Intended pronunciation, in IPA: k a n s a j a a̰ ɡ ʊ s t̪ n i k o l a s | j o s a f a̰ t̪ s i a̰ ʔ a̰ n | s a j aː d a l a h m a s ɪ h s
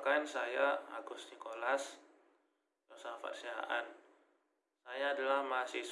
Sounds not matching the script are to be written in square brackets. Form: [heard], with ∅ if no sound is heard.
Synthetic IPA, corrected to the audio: k a n s a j a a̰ ɡ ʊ s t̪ n i k o l a s | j o s a f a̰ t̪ s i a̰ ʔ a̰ n | s a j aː d a l a h m a s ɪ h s